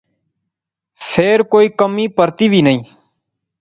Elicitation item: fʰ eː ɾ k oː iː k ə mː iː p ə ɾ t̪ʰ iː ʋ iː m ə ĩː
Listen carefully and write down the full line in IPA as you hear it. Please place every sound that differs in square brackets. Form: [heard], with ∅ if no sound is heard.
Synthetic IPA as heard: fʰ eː ɾ k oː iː k ə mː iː p ə ɾ [t̪] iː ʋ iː [n] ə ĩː